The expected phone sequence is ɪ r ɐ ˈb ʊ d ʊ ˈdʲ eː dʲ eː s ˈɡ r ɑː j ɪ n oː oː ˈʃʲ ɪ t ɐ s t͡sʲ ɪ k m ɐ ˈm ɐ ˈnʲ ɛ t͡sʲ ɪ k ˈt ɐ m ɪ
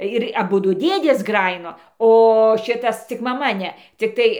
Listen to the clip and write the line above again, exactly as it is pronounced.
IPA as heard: ɪ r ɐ ˈb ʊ d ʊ ˈdʲ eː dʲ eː s ˈɡ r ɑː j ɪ n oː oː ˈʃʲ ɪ t ɐ s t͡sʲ ɪ k m ɐ ˈm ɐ ˈnʲ ɛ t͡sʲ ɪ k ˈt ɐ ɪ